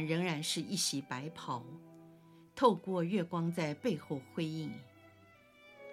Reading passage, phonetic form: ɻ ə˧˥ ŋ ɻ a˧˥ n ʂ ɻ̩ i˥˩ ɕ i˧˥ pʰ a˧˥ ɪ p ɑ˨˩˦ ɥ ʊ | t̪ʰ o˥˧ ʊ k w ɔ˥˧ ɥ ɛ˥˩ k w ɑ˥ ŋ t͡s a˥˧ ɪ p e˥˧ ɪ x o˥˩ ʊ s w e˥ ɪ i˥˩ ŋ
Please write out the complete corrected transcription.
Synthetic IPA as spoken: ɻ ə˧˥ ŋ ɻ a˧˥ n ʂ ɻ̩ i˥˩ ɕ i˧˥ p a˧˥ ɪ pʰ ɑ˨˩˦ ʊ | t̪ʰ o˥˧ ʊ k w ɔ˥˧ ɥ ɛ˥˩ k w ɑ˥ ŋ t͡s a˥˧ ɪ p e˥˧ ɪ x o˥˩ ʊ x w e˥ ɪ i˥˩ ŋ